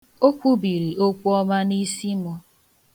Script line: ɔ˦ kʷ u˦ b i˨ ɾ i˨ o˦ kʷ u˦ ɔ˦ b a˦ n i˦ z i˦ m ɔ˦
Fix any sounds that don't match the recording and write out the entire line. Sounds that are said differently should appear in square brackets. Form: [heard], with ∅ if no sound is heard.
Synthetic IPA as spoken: [o˦] kʷ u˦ b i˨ ɾ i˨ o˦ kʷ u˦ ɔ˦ [m] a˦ n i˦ [s] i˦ m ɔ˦